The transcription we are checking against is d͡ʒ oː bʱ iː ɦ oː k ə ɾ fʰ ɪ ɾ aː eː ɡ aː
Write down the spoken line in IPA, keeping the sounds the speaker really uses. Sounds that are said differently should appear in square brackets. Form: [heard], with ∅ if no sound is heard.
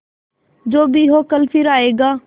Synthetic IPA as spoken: d͡ʒ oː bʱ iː ɦ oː k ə [l] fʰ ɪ ɾ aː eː ɡ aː